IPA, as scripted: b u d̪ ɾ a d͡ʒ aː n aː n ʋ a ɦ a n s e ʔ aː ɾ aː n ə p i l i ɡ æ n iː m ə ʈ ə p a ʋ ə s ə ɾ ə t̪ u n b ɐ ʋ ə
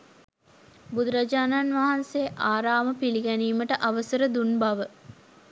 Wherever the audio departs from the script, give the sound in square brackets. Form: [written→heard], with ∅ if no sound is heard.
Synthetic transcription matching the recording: b u d̪ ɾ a d͡ʒ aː n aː n ʋ a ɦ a n s e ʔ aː ɾ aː [n→m] ə p i l i ɡ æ n iː m ə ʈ ə [p→ʔ] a ʋ ə s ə ɾ ə [t̪→d̪] u n b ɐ ʋ ə